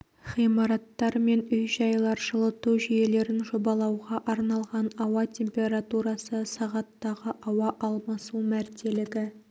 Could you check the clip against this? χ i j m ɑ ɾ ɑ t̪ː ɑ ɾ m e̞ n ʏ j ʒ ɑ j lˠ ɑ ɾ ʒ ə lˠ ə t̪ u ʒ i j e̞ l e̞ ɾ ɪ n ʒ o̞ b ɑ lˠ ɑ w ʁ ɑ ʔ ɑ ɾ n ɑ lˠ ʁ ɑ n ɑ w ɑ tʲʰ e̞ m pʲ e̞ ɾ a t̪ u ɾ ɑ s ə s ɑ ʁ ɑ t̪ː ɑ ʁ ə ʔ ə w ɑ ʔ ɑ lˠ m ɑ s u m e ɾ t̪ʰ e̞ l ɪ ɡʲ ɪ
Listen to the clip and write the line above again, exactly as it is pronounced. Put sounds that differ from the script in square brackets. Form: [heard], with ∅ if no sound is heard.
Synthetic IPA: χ i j m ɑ ɾ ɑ t̪ː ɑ ɾ m e̞ n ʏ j ʒ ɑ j lˠ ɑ ɾ ʒ ə lˠ ə t̪ u ʒ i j e̞ l e̞ ɾ ɪ n ʒ o̞ b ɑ lˠ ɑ w ʁ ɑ ʔ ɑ ɾ n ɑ lˠ ʁ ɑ n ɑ w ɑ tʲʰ e̞ m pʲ e̞ ɾ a t̪ u ɾ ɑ s ə s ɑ ʁ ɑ t̪ː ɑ ʁ ə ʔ [ɑ] w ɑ ʔ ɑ lˠ m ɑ s u m [æ] ɾ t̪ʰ e̞ l ɪ ɡʲ ɪ